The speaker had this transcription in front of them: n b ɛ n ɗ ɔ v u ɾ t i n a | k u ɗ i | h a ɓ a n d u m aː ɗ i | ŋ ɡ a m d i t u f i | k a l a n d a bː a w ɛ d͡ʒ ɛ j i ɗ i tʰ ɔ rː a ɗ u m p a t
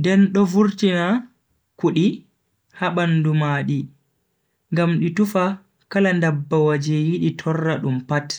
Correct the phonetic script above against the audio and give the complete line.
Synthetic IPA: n d ɛ n ɗ ɔ v u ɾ t i n a | k u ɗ i | h a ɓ a n d u m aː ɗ i | ŋ ɡ a m ɗ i t u f a | k a l a n d a bː a w a d͡ʒ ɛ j i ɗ i tʰ ɔ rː a ɗ u m p a t

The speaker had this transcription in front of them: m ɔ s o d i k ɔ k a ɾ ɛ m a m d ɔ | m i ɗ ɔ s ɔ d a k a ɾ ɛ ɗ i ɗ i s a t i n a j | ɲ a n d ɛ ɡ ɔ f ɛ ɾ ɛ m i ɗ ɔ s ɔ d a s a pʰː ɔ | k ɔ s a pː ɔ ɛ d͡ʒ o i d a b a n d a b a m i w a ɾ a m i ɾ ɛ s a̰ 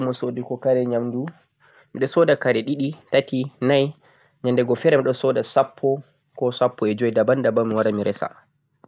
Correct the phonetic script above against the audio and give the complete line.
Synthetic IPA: m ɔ s o d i k ɔ k a ɾ ɛ ɲ a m d u | m i ɗ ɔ s ɔ d a k a ɾ ɛ ɗ i ɗ i t a t i n a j | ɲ a n d ɛ ɡ ɔ f ɛ ɾ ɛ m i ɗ ɔ s ɔ d a s a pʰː ɔ | k ɔ s a pː ɔ ɛ d͡ʒ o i d a b a n d a b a m i w a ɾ a m i ɾ ɛ s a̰

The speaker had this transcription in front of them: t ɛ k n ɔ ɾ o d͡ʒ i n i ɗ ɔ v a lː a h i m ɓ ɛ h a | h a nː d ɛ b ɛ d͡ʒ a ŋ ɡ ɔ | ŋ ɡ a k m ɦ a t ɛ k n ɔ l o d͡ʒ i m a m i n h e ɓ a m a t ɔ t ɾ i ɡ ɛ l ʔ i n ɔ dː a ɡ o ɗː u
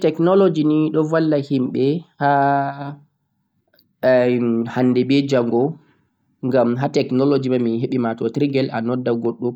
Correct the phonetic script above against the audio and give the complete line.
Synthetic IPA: t ɛ k n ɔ l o d͡ʒ i n i ɗ ɔ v a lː a h i m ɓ ɛ h a | h a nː d ɛ b ɛ d͡ʒ a ŋ ɡ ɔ | ŋ ɡ a m ɦ a t ɛ k n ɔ l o d͡ʒ i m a m i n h e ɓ i m a t ɔ t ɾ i ɡ ɛ l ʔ a n ɔ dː a ɡ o ɗː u

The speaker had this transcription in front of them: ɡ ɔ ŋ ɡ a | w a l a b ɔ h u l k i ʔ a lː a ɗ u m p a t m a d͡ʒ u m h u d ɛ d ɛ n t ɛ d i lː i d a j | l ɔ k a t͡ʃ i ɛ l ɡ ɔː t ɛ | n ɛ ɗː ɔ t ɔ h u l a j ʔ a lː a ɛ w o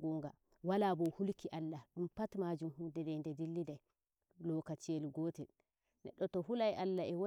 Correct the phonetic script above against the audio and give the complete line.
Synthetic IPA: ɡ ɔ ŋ ɡ a | w a l a b ɔ h u l k i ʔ a lː a ɗ u m p a t m a d͡ʒ u m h u d ɛ d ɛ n d ɛ d i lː i d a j | l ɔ k a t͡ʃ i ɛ l ɡ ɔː t ɛ | n ɛ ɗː ɔ t ɔ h u l a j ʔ a lː a ɛ w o

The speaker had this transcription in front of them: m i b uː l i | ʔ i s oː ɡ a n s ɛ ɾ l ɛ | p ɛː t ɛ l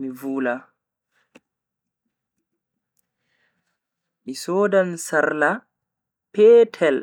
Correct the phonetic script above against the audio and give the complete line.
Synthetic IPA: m i v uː l a | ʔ i s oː d a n s a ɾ l a | p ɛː tʰ ɛ l

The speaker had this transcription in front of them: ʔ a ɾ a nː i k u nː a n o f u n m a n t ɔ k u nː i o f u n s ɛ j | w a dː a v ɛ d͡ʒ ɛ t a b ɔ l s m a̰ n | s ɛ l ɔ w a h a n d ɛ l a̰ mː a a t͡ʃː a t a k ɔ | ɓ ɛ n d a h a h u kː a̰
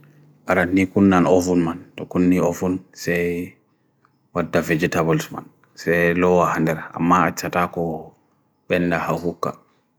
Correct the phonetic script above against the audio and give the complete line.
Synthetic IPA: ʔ a ɾ a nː i k u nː a n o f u n m a n t ɔ k u nː i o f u n s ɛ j | w a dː a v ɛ d͡ʒ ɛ t a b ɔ l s m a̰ n | s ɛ l ɔ w a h a n d ɛ ɾ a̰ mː a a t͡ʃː a t a k ɔ | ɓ ɛ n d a h a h u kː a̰

